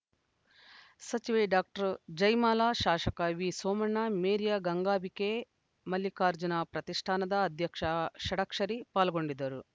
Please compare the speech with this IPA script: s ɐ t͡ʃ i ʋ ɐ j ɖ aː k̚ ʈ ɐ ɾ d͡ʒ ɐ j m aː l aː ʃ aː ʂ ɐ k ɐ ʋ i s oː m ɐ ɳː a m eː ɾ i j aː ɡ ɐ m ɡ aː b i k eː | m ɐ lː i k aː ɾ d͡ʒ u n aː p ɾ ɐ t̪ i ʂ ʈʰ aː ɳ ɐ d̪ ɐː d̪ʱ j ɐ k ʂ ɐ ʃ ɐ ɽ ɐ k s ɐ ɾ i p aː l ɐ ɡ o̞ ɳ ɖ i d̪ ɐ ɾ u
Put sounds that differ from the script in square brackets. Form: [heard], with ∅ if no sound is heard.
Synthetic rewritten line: s ɐ t͡ʃ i ʋ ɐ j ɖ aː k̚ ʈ ɐ ɾ d͡ʒ ɐ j m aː l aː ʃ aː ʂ ɐ k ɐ ʋ i s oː m ɐ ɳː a m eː ɾ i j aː ɡ ɐ [ŋ] ɡ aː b i k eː | m ɐ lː i k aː ɾ d͡ʒ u n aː p ɾ ɐ t̪ i ʂ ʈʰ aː [n] ɐ d̪ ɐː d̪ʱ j ɐ k ʂ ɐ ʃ ɐ ɽ ɐ k [ʂ] ɐ ɾ i p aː l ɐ ɡ o̞ ɳ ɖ i d̪ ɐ ɾ u

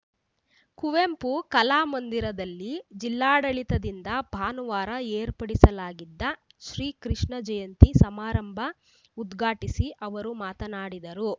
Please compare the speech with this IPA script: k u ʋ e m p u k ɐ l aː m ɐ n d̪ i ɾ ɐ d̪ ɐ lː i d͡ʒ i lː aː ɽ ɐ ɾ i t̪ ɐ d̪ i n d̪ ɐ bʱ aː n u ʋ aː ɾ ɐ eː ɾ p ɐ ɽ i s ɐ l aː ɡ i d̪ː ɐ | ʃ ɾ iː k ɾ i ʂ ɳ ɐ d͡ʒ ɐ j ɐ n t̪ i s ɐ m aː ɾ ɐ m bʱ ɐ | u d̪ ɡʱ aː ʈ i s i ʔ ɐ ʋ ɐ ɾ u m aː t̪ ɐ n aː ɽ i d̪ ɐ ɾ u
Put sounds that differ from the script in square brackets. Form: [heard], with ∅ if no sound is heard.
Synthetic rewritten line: k u ʋ e m p u k ɐ l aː m ɐ n d̪ i ɾ ɐ d̪ ɐ lː i d͡ʒ i lː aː ɽ ɐ [ɭ] i t̪ ɐ d̪ i n d̪ ɐ bʱ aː n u ʋ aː ɾ ɐ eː ɾ p ɐ ɽ i s ɐ l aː ɡ i d̪ː ɐ | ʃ ɾ iː k ɾ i ʂ ɳ ɐ d͡ʒ ɐ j ɐ n t̪ i s ɐ m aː ɾ ɐ m bʱ ɐ | u d̪ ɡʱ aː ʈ i s i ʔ ɐ ʋ ɐ ɾ u m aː t̪ ɐ n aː ɽ i d̪ ɐ ɾ u

